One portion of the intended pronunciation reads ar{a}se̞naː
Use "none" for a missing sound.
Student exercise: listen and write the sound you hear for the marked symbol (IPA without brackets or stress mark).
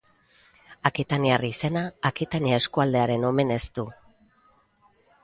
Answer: i